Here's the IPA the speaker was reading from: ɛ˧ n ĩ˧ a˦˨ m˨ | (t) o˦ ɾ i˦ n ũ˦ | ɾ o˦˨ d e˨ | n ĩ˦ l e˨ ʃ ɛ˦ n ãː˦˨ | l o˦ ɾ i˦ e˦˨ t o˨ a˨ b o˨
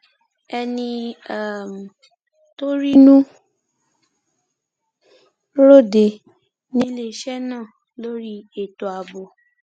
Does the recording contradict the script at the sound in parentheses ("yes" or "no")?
no